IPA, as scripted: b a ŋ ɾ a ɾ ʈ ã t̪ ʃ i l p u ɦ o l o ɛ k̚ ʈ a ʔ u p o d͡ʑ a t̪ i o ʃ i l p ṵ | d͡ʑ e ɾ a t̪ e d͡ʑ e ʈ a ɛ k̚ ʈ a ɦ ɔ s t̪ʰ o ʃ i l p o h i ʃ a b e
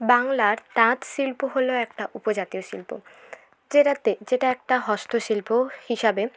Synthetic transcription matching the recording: b a ŋ l a ɾ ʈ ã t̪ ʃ i l p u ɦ o l o ɛ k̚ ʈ a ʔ u p o d͡ʑ a t̪ i o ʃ i l p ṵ | d͡ʑ e ɾ a t̪ e d͡ʑ e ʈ a ɛ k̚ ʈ a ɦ ɔ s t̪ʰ o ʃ i l p o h i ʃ a b e